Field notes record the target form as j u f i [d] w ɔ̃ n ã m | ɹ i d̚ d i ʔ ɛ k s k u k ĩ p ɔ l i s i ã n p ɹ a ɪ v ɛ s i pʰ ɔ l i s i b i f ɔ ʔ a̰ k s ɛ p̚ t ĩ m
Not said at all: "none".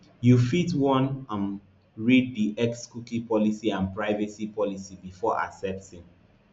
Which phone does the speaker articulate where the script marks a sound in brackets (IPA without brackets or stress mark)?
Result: t